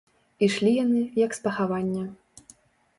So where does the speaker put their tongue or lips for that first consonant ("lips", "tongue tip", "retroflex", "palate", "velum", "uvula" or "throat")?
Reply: retroflex